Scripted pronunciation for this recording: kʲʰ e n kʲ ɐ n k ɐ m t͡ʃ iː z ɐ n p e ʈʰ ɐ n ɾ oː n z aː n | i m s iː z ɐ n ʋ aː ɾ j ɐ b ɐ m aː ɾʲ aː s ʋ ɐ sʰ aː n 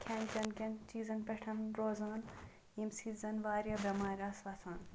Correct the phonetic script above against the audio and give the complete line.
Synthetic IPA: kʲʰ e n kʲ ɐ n k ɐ n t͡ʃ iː z ɐ n p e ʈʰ ɐ n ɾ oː z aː n | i m s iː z ɐ n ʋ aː ɾ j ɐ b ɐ m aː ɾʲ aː s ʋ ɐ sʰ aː n